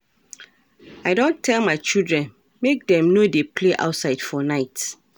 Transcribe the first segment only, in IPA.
a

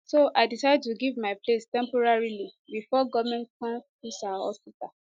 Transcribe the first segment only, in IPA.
s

